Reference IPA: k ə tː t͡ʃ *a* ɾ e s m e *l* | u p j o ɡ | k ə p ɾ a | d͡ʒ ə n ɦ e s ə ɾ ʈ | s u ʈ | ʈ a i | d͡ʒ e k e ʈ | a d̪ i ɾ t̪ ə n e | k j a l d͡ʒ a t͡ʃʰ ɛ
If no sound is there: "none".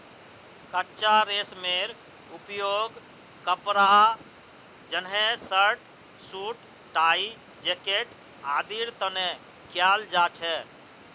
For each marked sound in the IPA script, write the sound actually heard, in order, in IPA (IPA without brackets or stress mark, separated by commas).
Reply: a, ɾ